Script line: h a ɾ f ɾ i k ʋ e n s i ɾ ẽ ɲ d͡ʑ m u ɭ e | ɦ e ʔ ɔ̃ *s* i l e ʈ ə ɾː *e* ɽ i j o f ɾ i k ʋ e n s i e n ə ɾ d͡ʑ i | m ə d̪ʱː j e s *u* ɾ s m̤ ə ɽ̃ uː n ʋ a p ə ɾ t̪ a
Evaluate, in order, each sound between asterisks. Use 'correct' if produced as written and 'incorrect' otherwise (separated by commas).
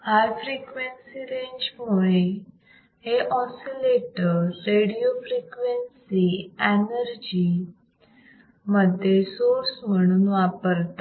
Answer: correct, correct, incorrect